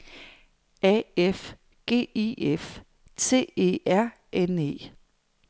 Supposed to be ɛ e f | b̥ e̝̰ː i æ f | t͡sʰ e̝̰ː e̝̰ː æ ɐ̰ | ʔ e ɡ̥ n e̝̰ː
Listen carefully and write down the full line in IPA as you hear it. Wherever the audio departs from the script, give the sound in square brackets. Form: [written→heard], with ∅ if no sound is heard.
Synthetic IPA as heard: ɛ e f | [b̥→ɡ̥] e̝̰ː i [æ→e] f | t͡sʰ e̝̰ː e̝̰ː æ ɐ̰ | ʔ e [ɡ̥→∅] n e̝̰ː